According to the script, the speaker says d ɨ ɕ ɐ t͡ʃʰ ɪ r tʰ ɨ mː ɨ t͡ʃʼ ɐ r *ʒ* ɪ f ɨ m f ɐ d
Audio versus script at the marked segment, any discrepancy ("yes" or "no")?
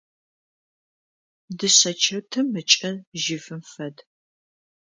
no